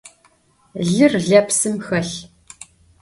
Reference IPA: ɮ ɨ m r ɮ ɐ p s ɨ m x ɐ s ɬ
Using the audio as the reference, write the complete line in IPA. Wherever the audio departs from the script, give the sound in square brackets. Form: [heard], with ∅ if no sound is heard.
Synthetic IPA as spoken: ɮ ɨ [∅] r ɮ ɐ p s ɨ m x ɐ [∅] ɬ